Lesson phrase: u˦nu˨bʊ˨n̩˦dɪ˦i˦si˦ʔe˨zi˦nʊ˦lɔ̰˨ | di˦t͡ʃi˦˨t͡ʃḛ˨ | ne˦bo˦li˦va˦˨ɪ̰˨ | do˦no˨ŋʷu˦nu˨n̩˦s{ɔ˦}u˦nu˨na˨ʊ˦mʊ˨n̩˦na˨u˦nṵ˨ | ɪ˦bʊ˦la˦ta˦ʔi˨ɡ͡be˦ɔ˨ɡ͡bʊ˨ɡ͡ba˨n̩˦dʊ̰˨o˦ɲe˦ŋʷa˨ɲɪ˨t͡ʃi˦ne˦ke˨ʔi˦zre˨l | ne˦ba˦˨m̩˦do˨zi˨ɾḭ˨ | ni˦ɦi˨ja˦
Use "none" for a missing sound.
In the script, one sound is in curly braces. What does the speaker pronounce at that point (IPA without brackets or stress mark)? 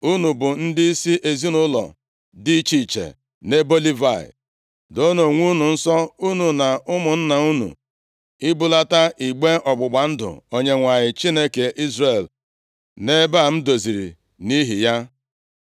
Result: ɔ˦